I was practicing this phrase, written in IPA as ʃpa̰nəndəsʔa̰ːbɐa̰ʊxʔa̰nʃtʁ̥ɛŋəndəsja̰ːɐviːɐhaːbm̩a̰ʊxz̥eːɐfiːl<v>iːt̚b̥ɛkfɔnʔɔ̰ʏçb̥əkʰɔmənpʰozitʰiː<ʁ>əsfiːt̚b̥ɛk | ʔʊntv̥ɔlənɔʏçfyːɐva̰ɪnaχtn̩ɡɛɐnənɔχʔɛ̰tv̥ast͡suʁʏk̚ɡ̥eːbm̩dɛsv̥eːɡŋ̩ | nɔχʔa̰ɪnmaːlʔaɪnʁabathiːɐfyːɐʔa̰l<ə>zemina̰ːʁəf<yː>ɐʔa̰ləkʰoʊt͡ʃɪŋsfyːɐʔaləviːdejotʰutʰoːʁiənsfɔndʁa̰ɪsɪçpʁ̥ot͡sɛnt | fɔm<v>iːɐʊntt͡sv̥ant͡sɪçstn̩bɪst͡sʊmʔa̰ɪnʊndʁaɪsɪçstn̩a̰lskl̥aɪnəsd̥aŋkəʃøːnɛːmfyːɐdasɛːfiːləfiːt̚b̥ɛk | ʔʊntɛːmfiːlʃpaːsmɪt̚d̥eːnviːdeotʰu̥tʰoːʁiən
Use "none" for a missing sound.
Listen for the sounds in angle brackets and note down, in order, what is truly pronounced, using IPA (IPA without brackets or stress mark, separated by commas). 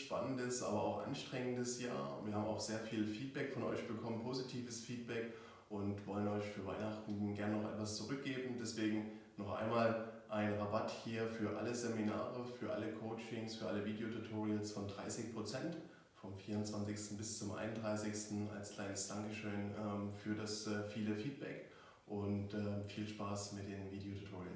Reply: f, v, ə, yː, f